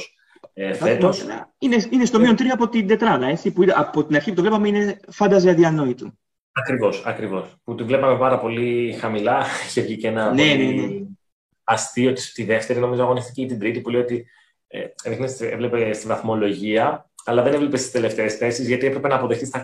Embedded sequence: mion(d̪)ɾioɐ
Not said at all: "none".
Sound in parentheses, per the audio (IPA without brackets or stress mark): t̪